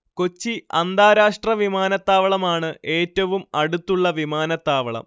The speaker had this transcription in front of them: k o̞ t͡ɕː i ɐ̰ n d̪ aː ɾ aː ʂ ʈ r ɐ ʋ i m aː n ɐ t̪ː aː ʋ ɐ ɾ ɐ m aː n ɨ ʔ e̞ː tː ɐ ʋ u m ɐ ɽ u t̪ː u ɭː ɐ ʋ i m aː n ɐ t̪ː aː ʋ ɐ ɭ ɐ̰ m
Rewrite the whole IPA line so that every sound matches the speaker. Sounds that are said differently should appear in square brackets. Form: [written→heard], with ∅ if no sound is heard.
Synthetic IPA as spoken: k o̞ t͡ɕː i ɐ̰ n d̪ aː ɾ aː ʂ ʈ r ɐ ʋ i m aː n ɐ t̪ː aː ʋ ɐ [ɾ→ɭ] ɐ m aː [n→ɳ] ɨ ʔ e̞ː tː ɐ ʋ u m ɐ ɽ u t̪ː u ɭː ɐ ʋ i m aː n ɐ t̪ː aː ʋ ɐ ɭ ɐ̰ m